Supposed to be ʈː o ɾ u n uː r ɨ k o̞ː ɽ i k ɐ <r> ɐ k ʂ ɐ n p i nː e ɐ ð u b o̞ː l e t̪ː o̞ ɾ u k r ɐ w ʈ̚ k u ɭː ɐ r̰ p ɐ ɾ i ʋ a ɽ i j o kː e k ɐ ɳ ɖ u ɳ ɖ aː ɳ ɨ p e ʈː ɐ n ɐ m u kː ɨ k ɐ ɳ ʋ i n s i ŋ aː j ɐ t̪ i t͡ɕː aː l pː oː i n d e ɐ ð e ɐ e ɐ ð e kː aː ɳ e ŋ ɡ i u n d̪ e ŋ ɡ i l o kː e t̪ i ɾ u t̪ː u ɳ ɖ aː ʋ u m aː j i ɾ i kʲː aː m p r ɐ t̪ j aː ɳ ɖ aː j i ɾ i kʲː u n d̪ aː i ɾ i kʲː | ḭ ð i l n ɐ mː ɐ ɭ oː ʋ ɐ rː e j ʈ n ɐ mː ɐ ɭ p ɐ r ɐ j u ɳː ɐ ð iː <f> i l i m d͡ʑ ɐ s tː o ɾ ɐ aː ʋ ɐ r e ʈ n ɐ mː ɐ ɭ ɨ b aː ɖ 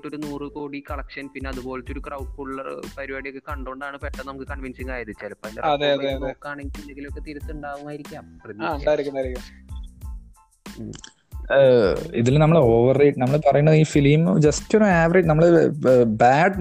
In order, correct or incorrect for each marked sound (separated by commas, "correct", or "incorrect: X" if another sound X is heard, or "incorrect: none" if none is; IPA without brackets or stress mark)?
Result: incorrect: ɭ, correct